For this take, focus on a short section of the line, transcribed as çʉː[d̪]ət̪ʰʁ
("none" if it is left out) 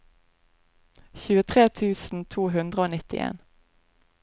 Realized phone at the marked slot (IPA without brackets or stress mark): none